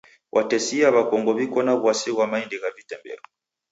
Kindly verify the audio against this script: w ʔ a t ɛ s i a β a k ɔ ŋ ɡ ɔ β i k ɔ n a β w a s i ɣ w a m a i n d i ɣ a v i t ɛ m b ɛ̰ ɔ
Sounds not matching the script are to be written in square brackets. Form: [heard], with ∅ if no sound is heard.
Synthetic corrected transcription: w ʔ a t ɛ s i a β a k ɔ ŋ ɡ ɔ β i k ɔ n a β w a s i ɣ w a m a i n d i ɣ a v i t ɛ m b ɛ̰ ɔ